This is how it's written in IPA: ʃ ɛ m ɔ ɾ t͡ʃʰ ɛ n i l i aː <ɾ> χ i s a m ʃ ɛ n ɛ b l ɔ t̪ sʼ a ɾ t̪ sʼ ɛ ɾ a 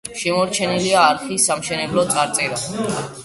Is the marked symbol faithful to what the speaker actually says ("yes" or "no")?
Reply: yes